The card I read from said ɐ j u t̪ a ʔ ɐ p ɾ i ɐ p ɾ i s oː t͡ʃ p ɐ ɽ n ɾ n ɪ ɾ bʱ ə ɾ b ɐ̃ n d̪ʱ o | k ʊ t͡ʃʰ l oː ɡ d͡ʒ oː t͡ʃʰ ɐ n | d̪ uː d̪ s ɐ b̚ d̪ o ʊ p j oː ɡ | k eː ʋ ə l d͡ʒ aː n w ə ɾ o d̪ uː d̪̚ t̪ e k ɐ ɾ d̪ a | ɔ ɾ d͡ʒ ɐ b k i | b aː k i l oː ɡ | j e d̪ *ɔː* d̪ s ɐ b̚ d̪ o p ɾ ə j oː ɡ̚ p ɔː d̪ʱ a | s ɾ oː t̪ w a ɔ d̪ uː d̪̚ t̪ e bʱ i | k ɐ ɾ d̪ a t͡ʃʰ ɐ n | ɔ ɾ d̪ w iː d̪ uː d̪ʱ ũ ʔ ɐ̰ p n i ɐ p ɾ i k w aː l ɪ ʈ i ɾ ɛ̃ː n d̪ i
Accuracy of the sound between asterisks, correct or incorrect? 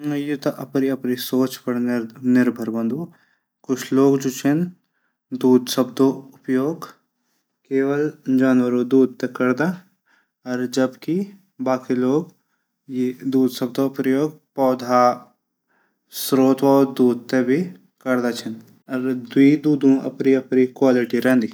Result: incorrect